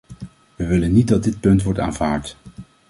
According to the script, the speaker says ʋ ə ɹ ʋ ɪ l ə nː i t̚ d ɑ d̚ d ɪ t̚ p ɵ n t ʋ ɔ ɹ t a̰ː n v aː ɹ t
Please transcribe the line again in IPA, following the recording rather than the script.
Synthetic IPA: ʋ ə ʋ ɪ l ə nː i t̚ d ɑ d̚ d ɪ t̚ p ɵ n t ʋ ɔ ɹ t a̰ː n v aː ɹ t